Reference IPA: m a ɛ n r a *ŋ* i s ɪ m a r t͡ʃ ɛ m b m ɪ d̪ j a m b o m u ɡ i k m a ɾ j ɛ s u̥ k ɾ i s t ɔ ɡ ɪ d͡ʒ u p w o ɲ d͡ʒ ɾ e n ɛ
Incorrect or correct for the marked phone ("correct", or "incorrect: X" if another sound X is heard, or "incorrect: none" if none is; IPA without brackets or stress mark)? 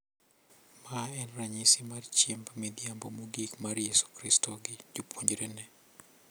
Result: incorrect: ɲ